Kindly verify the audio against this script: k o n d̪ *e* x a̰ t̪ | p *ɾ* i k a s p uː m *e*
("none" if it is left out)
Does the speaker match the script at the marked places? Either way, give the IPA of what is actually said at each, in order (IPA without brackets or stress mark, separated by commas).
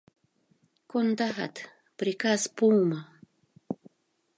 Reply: a, ɾ, a